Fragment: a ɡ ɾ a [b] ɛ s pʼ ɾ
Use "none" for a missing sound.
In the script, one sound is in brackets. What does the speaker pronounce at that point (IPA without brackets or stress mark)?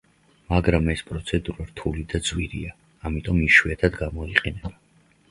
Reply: m